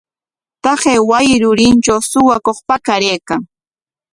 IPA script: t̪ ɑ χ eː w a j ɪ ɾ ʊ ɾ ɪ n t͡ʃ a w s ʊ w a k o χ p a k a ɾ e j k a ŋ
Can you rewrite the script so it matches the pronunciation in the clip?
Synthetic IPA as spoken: t̪ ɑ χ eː w a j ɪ ɾ ʊ ɾ ɪ n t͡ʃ a w s ʊ w a k o χ p a k a ɾ e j k a ŋ